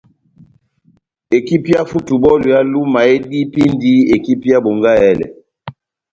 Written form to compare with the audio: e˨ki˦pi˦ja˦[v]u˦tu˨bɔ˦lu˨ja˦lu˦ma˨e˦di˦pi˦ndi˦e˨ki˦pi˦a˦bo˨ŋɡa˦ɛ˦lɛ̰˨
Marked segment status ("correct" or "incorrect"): incorrect